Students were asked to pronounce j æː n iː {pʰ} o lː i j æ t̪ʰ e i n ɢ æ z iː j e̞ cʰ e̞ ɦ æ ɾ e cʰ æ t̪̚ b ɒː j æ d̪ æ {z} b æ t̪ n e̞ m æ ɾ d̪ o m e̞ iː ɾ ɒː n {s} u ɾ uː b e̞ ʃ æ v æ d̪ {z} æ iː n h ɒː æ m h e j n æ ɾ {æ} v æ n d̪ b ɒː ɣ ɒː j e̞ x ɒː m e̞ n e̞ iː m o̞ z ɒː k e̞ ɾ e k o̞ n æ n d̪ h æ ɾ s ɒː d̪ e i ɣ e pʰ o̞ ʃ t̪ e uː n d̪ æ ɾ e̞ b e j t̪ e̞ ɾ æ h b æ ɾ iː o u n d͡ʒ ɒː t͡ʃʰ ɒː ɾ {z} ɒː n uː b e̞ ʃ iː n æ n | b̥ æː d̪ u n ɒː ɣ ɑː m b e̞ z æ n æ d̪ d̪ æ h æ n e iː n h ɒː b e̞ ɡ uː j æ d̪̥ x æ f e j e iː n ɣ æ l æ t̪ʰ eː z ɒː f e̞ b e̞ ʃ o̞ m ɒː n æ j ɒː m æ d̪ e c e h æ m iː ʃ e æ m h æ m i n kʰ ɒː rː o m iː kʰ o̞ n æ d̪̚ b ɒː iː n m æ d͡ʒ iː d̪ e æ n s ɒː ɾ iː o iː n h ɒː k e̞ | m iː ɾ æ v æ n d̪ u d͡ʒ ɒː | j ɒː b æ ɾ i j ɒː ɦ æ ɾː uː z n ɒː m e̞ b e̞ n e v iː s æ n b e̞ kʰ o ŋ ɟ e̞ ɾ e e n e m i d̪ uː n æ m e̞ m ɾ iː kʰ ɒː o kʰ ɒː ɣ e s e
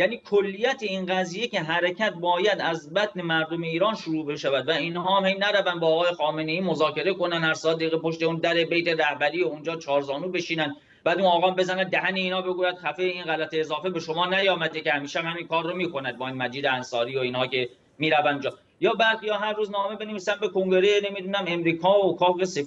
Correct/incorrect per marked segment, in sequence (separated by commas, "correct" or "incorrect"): incorrect, correct, incorrect, incorrect, correct, correct